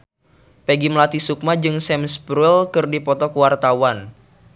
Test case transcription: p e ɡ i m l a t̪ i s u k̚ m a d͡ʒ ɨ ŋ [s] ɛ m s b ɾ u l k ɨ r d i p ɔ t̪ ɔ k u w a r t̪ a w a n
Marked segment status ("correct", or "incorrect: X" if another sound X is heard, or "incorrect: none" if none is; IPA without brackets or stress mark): correct